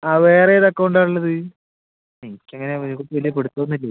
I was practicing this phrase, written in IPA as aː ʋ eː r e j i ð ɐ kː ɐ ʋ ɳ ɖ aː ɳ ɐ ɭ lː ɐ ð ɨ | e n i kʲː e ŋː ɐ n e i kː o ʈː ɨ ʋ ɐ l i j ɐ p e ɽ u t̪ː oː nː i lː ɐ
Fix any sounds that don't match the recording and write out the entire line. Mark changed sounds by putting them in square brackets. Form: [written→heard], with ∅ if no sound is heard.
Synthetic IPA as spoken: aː ʋ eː r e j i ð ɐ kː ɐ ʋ ɳ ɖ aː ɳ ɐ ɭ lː ɐ ð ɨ | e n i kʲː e ŋː ɐ n e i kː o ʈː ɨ ʋ ɐ l i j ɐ p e ɽ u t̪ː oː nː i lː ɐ